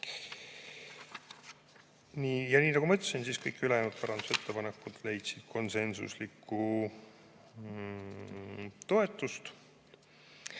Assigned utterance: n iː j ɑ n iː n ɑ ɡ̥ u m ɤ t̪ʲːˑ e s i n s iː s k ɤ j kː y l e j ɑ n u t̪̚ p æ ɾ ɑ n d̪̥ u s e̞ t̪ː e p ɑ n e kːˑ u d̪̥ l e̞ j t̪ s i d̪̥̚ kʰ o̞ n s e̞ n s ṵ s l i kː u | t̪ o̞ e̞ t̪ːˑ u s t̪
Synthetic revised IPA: n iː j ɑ n iː n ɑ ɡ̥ u m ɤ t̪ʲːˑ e s i n s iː s k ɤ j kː y l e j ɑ n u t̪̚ p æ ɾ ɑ n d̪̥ u s e̞ t̪ː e p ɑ n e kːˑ u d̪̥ l e̞ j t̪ s i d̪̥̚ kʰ o̞ n s e̞ n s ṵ s l i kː u | t̪ o̞ e̞ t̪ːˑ u s t̪

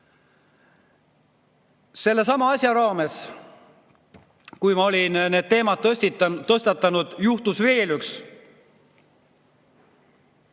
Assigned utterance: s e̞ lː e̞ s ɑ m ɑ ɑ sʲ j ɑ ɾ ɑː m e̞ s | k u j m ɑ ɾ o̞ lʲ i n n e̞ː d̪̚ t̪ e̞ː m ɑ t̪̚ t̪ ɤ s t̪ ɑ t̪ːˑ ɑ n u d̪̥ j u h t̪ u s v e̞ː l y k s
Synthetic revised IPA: s e̞ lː e̞ s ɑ m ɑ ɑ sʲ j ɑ ɾ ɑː m e̞ s | k u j m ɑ o̞ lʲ i n n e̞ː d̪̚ t̪ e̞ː m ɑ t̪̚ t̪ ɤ s t̪ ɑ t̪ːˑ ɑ n u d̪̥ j u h t̪ u s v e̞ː l y k s

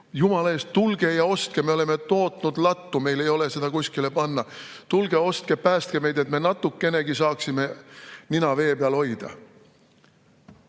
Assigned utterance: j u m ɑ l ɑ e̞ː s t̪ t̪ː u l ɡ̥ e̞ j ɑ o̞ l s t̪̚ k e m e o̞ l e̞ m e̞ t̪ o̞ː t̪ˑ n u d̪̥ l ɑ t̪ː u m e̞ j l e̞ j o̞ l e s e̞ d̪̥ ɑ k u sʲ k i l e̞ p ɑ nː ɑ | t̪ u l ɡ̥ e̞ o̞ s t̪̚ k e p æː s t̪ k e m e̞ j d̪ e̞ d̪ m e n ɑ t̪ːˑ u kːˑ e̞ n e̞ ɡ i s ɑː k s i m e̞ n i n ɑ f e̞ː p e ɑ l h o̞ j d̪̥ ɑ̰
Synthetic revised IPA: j u m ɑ l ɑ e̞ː s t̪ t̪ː u l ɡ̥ e̞ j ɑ o̞ s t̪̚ k e m e o̞ l e̞ m e̞ t̪ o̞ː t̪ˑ n u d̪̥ l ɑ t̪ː u m e̞ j l e̞ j o̞ l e s e̞ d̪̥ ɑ k u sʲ k i l e̞ p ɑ nː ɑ | t̪ u l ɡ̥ e̞ o̞ s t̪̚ k e p æː s t̪ k e m e̞ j d̪ e̞ t̪ m e n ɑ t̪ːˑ u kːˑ e̞ n e̞ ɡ i s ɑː k s i m e̞ n i n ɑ v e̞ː p e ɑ l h o̞ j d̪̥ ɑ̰

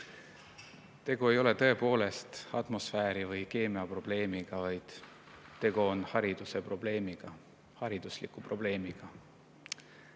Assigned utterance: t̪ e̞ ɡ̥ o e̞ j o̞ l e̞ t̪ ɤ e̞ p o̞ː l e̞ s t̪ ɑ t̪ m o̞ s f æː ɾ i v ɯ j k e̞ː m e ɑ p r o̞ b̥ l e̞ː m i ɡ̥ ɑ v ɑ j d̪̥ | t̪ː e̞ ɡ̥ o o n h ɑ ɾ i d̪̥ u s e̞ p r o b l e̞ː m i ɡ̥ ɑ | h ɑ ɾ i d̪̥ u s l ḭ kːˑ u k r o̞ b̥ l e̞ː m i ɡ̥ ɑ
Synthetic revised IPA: t̪ e̞ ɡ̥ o e̞ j o̞ l e̞ t̪ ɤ e̞ p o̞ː l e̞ s t̪ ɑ t̪ m o̞ s f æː ɾ i v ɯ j k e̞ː m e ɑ p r o̞ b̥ l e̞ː m i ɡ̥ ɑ v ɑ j d̪̥ | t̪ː e̞ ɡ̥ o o n h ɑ ɾ i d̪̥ u s e̞ p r o b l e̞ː m i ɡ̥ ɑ | h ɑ ɾ i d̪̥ u s l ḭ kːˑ u p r o̞ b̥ l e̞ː m i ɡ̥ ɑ

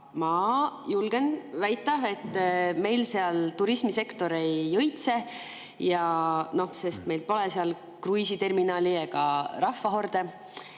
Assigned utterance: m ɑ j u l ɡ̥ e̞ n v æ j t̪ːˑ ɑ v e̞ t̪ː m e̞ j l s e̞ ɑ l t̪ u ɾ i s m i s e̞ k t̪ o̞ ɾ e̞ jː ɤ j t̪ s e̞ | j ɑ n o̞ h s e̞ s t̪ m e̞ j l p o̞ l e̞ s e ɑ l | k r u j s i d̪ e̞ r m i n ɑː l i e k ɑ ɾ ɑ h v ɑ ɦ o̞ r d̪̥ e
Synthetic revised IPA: m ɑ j u l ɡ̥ e̞ n v æ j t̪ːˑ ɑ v e̞ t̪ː m e̞ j l s e̞ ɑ l t̪ u ɾ i s m i s e̞ k t̪ o̞ ɾ e̞ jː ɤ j t̪ s e̞ | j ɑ n o̞ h s e̞ s t̪ m e̞ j l p o̞ l e̞ s e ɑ l | k r u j s i t̪ e̞ r m i n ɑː l i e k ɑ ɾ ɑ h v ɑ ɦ o̞ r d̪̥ e

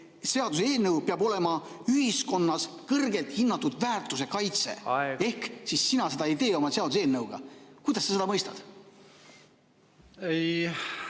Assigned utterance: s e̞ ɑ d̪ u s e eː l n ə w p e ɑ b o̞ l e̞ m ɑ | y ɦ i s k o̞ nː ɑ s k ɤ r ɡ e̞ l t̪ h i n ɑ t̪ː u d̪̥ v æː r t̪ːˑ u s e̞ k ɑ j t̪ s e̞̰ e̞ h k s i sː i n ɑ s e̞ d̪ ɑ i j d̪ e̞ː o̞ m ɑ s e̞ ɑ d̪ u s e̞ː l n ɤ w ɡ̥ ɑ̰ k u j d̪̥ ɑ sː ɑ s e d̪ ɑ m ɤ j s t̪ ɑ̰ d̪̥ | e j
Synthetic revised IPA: s e̞ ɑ d̪ u s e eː l n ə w p e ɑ b o̞ l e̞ m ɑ | y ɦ i s k o̞ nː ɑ s k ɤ r ɡ e̞ l t̪ h i nː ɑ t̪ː u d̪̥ v æː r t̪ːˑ u s e̞ k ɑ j t̪ s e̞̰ e̞ h k s i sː i n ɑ s e̞ d̪ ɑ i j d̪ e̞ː o̞ m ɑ s e̞ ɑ d̪ u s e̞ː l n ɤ w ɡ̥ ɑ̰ k u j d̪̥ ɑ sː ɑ s e d̪ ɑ m ɤ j s t̪ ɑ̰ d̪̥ | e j

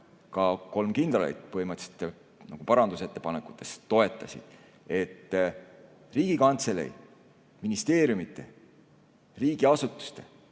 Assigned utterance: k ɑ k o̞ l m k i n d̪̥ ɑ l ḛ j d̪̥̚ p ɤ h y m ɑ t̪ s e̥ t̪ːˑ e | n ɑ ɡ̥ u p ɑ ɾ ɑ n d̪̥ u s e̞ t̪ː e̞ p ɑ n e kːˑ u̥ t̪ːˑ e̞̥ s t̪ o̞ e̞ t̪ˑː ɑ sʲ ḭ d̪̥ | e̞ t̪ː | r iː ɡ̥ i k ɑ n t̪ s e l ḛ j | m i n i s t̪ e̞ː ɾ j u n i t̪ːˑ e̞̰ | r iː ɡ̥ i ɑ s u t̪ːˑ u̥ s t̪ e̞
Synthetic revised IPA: k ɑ k o̞ l m k i n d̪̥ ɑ l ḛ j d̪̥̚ p ɤ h i m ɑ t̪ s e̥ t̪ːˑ e | n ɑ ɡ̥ u p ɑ ɾ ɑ n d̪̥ u s e̞ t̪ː e̞ p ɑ n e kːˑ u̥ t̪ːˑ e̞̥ s t̪ o̞ e̞ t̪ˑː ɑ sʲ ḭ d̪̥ | e̞ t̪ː | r iː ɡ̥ i k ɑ n t̪ s e l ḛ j | m i n i s t̪ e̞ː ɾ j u m i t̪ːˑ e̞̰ | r iː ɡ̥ i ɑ s u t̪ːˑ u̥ s t̪ e̞

